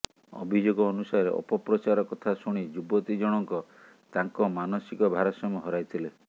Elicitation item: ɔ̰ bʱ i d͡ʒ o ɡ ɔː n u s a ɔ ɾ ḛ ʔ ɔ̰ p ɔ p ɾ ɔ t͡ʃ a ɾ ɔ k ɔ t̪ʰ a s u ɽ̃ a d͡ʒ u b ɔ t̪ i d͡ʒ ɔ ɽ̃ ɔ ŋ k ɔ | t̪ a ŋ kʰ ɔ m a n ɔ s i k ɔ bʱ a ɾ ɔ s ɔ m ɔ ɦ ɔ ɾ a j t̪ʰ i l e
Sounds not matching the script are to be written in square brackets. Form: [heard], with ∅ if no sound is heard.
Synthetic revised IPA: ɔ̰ bʱ i d͡ʒ o ɡ ɔː n u s a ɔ ɾ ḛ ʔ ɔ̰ p ɔ p ɾ ɔ t͡ʃ a ɾ ɔ k ɔ t̪ʰ a s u ɽ̃ [i] d͡ʒ u b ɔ t̪ i d͡ʒ ɔ ɽ̃ ɔ ŋ k ɔ | t̪ a ŋ [k] ɔ m a n ɔ s i k ɔ bʱ a ɾ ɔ s ɔ m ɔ ɦ ɔ ɾ a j t̪ʰ i l e